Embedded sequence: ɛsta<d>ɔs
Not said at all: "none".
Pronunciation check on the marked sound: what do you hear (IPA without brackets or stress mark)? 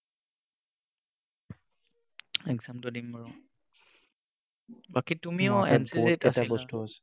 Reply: b